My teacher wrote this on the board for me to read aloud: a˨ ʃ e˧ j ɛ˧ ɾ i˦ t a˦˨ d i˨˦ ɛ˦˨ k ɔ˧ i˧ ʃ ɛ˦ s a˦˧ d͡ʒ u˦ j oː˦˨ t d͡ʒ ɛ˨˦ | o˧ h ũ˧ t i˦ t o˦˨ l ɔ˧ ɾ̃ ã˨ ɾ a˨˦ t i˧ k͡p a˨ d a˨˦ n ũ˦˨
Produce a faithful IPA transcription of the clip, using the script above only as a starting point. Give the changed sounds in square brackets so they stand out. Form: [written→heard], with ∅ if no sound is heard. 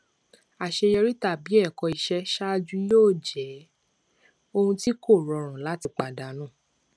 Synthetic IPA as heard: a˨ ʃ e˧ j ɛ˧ ɾ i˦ t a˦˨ [d→b] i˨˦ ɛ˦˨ k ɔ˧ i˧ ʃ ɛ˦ [s→ʃ] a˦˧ d͡ʒ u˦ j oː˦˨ [t→∅] d͡ʒ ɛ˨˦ | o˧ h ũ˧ t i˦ [t→k] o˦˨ [l→ɾ] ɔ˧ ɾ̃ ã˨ [ɾ→l] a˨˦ t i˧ k͡p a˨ d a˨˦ n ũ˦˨